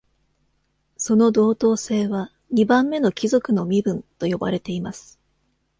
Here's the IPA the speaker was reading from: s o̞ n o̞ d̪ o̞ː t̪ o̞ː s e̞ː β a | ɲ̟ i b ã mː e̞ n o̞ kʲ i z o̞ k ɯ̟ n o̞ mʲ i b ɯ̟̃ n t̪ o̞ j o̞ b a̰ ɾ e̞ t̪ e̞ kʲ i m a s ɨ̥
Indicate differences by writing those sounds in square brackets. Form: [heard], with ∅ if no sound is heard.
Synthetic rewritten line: s o̞ n o̞ d̪ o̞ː t̪ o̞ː s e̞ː β a | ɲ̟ i b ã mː e̞ n o̞ kʲ i z o̞ k ɯ̟ n o̞ mʲ i b ɯ̟̃ n t̪ o̞ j o̞ b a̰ ɾ e̞ t̪ e̞ [∅] i m a s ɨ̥